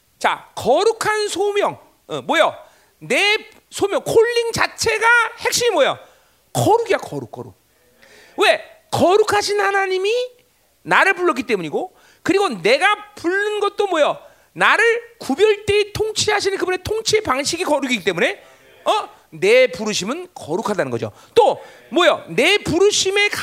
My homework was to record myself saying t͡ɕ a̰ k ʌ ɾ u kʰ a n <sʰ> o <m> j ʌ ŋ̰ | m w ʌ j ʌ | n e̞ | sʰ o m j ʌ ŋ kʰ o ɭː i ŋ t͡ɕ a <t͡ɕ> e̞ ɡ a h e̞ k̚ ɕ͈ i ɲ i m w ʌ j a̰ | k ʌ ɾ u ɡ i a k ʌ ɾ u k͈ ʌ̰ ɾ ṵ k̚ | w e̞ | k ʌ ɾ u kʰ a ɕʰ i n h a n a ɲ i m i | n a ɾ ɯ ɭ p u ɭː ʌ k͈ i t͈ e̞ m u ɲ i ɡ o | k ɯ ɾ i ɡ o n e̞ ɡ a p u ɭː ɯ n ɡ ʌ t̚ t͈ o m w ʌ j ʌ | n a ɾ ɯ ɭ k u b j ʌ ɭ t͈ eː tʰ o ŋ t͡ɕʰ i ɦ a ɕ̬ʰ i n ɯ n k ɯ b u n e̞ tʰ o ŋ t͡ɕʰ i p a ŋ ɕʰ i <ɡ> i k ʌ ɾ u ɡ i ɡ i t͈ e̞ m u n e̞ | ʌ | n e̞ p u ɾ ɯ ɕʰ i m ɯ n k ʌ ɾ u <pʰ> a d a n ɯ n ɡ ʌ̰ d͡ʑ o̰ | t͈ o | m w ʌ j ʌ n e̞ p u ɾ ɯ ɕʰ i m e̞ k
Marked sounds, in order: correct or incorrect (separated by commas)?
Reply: correct, correct, incorrect, correct, incorrect